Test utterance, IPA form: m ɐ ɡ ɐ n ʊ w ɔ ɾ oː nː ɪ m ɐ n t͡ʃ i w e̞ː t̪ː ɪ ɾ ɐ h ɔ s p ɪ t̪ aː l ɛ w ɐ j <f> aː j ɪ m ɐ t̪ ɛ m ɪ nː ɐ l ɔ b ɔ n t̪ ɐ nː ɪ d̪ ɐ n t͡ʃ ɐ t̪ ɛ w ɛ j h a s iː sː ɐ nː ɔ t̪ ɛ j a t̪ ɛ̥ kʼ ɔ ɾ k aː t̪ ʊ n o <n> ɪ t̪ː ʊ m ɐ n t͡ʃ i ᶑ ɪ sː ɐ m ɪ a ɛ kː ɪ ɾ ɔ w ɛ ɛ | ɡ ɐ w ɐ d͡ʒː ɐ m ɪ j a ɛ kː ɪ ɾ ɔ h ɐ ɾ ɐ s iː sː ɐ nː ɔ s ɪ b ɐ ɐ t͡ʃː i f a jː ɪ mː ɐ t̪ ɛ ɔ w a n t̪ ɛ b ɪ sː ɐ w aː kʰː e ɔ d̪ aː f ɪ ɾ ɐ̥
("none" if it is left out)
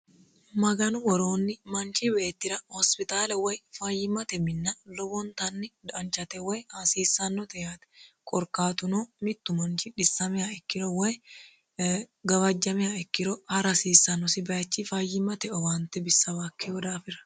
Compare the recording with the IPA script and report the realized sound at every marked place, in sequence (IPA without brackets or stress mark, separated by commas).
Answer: f, m